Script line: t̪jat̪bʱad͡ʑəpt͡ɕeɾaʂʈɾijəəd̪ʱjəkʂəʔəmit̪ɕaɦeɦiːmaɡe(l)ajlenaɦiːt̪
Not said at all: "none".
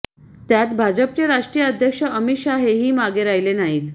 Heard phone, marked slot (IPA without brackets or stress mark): ɾ